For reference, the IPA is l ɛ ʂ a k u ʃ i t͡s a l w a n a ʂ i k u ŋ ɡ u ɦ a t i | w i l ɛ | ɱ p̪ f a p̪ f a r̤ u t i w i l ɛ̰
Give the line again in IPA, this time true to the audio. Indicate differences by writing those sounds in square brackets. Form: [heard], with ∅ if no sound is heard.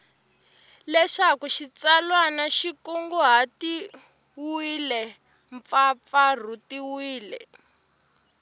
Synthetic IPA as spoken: l ɛ ʂ a k u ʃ i t͡s a l w a n a [ʃ] i k u ŋ ɡ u ɦ a t i | w i l ɛ | ɱ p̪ f a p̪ f a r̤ u t i w [iː] l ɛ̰